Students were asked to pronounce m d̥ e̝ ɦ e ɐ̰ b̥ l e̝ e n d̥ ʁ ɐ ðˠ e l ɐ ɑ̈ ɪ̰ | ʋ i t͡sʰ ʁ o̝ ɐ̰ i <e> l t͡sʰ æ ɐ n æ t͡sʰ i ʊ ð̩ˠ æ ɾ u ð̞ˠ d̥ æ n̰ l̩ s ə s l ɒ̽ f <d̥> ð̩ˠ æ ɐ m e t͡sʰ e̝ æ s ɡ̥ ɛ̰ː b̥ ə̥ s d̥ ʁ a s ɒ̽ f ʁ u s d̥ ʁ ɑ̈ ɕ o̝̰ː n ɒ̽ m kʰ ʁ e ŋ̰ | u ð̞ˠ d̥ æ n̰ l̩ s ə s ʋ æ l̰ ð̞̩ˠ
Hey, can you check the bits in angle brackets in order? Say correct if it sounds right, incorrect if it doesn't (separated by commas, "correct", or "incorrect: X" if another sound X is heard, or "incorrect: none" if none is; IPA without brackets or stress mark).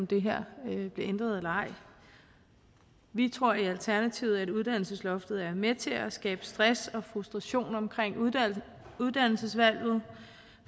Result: incorrect: æ, correct